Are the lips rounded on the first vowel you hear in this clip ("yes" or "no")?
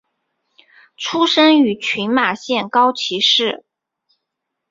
yes